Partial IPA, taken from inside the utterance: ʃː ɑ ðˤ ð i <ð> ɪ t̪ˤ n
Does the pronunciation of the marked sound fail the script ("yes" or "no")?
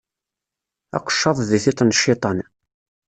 yes